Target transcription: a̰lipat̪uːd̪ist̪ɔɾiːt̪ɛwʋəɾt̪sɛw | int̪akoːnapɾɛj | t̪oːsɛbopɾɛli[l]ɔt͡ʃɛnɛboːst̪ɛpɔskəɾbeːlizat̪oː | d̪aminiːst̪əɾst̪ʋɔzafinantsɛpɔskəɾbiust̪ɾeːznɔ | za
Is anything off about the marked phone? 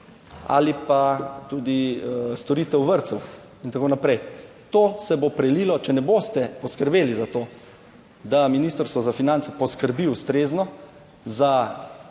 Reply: no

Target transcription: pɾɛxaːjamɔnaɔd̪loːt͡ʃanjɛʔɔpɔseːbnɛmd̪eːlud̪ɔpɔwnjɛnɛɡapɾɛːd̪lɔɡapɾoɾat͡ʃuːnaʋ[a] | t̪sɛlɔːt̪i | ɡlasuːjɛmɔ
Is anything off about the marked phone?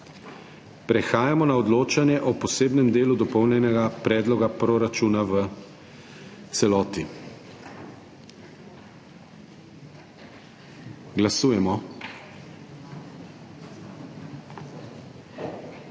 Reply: yes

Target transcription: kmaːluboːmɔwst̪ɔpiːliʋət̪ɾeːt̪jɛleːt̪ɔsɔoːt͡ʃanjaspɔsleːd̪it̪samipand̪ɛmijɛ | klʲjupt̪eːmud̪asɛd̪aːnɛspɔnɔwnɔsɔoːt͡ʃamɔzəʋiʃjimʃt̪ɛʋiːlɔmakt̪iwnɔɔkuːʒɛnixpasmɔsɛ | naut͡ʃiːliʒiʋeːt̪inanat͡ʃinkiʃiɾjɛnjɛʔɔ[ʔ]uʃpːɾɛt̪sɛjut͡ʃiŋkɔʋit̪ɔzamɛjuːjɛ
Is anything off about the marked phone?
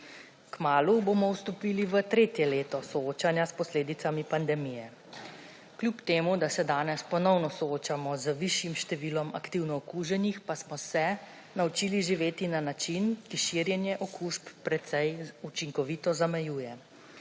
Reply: yes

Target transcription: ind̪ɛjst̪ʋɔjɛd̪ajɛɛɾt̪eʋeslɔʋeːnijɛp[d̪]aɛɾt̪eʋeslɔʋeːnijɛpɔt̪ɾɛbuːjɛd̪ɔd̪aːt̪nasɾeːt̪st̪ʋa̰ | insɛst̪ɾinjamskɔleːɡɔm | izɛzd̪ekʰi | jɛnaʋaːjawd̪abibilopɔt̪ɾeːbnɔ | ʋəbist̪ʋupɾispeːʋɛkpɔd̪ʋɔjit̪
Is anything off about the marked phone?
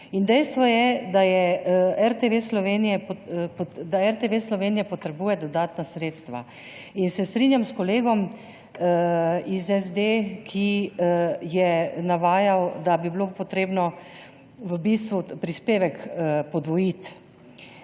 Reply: no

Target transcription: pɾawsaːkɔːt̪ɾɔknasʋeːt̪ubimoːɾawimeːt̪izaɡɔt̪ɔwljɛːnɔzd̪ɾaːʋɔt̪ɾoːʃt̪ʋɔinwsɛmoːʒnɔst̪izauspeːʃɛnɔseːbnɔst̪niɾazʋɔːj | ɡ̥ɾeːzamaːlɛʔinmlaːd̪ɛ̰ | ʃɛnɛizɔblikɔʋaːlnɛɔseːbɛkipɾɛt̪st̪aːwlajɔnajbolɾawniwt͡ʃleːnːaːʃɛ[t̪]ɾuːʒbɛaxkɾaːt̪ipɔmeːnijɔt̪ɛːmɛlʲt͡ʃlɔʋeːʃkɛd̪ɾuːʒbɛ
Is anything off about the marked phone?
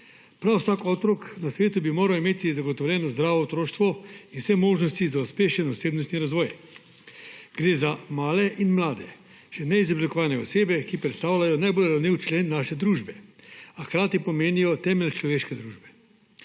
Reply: yes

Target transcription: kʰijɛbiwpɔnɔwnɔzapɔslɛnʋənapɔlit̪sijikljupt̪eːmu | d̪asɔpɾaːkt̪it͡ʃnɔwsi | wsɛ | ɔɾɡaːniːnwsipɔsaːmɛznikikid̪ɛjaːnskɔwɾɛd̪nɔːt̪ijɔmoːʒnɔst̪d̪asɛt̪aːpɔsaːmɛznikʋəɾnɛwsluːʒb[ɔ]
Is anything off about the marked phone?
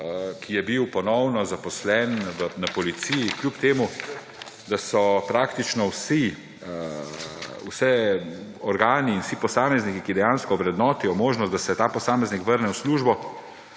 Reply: no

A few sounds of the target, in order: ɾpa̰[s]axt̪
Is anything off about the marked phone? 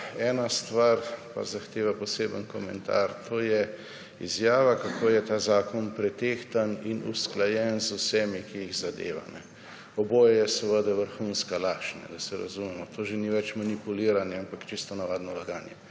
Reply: yes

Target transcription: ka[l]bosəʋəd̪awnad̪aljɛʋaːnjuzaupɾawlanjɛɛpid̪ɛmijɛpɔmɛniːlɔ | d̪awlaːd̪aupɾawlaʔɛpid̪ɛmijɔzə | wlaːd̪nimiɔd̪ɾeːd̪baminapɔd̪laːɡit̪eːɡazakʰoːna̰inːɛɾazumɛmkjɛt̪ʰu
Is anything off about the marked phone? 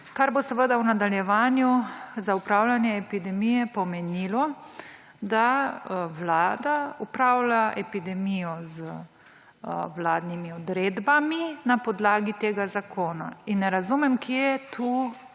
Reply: yes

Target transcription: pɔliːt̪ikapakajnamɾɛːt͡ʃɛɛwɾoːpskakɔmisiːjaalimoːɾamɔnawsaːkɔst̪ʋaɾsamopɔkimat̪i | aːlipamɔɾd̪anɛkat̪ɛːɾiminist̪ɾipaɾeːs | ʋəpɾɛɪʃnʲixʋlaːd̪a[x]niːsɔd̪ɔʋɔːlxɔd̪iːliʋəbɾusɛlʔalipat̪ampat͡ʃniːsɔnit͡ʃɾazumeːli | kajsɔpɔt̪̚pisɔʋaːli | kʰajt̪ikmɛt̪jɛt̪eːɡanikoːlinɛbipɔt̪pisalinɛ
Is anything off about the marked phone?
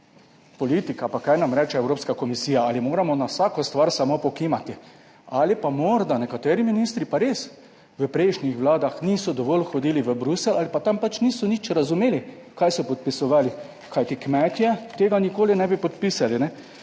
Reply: no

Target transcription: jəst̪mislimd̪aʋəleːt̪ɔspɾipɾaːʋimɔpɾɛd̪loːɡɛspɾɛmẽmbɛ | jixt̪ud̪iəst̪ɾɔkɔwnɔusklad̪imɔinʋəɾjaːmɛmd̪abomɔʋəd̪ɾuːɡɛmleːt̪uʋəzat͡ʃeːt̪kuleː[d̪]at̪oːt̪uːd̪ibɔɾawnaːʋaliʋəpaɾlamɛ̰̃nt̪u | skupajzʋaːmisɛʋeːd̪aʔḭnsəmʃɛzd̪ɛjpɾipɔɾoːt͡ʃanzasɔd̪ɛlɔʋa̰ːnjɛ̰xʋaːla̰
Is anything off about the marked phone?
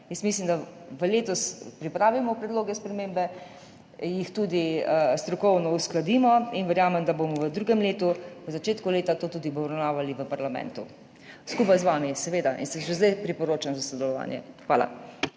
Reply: yes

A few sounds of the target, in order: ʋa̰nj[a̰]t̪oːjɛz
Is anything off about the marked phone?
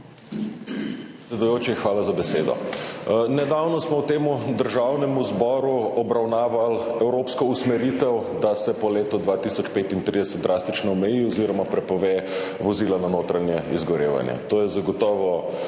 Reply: yes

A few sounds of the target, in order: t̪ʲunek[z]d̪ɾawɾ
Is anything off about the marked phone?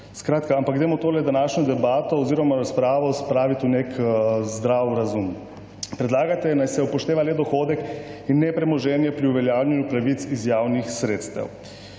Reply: no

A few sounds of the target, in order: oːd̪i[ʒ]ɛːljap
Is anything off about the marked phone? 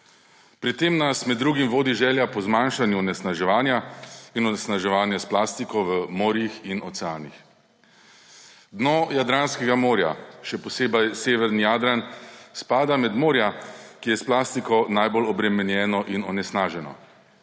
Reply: no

